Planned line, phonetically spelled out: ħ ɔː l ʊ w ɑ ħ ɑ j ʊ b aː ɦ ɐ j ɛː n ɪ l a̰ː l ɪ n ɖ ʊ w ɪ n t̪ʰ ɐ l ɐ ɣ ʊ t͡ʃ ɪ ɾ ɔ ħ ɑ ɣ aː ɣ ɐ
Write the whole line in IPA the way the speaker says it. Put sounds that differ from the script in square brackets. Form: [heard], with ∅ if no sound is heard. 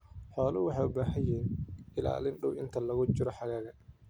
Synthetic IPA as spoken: ħ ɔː l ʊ w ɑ ħ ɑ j ʊ b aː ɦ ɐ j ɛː n ɪ l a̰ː l ɪ n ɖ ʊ w ɪ n t̪ʰ ɐ l ɐ ɣ ʊ t͡ʃ ɪ ɾ ɔ ħ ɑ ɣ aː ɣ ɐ